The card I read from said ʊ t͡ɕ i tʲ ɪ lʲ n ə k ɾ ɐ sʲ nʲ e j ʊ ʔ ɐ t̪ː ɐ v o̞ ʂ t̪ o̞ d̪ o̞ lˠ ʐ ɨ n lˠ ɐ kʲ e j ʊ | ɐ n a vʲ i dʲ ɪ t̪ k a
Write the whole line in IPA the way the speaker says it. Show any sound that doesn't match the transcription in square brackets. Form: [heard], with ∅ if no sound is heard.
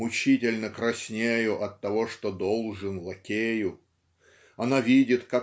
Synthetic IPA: ʊ t͡ɕ i tʲ ɪ lʲ n ə k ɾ ɐ sʲ nʲ e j ʊ ʔ ɐ t̪ː ɐ v o̞ ʂ t̪ o̞ d̪ o̞ lˠ ʐ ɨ n lˠ ɐ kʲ e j ʊ | ɐ n a vʲ i dʲ ɪ t̪ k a